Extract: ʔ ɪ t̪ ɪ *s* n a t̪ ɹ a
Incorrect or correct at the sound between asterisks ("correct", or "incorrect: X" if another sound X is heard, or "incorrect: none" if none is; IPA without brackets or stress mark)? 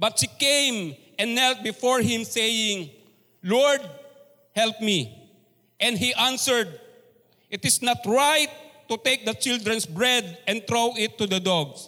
correct